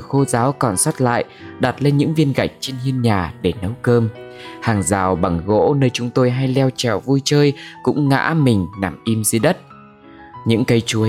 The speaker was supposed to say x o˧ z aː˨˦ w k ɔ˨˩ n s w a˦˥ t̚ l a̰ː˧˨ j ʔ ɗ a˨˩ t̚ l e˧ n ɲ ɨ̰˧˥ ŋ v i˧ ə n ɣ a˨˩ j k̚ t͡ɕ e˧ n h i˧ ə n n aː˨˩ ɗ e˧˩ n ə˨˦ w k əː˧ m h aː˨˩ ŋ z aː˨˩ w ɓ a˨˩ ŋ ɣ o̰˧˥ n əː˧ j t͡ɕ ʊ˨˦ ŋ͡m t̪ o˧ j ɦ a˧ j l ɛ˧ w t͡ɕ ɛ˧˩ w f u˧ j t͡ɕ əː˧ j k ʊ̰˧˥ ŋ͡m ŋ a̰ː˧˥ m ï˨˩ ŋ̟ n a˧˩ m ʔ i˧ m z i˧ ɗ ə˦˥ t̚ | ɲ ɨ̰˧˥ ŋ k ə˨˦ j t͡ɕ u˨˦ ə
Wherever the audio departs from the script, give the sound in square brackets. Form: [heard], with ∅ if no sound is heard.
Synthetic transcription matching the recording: x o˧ z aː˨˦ w k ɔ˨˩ n s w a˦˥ t̚ l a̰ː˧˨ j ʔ ɗ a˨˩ t̚ l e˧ n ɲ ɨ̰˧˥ ŋ v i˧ ə n ɣ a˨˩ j k̚ t͡ɕ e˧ n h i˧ ə n [ɲ] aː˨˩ ɗ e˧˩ n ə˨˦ w k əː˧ m h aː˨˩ ŋ z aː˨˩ w ɓ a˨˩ ŋ ɣ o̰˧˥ n əː˧ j t͡ɕ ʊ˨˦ ŋ͡m t̪ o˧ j ɦ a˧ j l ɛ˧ w t͡ɕ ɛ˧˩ w [v] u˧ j t͡ɕ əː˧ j k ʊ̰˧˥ ŋ͡m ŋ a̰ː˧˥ m ï˨˩ ŋ̟ n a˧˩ m ʔ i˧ m z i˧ ɗ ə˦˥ t̚ | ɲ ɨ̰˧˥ ŋ k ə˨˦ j t͡ɕ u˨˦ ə